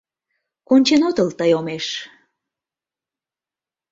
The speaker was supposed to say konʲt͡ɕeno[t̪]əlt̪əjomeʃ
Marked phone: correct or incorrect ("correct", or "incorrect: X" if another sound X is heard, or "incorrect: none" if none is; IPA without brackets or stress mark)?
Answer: correct